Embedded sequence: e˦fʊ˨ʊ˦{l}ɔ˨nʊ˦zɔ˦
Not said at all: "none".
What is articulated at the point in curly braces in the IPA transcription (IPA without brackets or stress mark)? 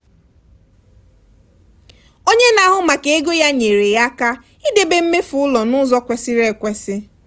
l